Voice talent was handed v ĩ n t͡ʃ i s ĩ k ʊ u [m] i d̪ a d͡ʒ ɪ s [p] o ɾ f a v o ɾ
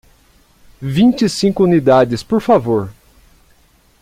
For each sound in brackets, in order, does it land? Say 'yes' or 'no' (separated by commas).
no, yes